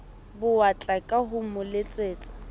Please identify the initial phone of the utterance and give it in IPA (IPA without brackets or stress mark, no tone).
b